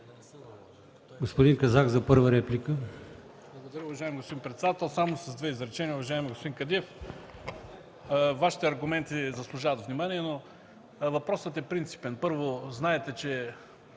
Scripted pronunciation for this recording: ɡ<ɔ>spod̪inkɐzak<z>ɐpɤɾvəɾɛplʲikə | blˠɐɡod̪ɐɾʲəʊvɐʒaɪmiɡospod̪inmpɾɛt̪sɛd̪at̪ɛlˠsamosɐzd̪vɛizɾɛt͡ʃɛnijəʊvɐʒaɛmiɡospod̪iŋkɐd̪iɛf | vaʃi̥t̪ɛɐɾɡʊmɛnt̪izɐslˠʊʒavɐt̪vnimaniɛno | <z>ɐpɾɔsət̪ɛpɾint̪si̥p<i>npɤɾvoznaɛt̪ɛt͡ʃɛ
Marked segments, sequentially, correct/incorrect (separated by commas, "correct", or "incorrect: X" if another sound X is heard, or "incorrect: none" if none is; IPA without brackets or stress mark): incorrect: o, correct, incorrect: v, incorrect: ɛ